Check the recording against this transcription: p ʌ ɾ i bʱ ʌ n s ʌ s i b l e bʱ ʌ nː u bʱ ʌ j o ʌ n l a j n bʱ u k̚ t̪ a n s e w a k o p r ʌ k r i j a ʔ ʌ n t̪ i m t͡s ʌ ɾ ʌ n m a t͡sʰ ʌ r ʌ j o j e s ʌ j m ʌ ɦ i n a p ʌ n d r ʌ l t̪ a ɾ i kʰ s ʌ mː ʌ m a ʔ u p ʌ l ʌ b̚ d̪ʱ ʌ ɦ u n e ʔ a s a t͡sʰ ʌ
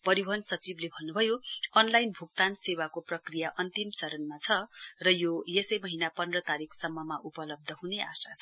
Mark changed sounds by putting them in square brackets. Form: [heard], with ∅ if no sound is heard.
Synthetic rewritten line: p ʌ ɾ i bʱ ʌ n s ʌ [t͡s] i b l e bʱ ʌ nː u bʱ ʌ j o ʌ n l a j n bʱ u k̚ t̪ a n s e w a k o p r ʌ k r i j a ʔ ʌ n t̪ i m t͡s ʌ ɾ ʌ n m a t͡sʰ ʌ r ʌ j o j e s ʌ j m ʌ ɦ i n a p ʌ n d r ʌ [∅] t̪ a ɾ i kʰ s ʌ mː ʌ m a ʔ u p ʌ l ʌ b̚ d̪ʱ ʌ ɦ u n e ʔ a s a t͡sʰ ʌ